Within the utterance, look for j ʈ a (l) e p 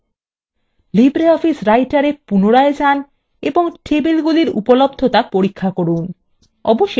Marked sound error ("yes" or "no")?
yes